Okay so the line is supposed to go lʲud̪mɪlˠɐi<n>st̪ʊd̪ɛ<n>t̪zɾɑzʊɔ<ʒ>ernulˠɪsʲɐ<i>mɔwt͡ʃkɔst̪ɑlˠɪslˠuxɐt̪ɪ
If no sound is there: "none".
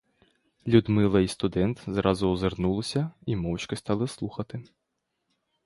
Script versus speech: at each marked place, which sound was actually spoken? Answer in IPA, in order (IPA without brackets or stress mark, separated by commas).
none, n, z, i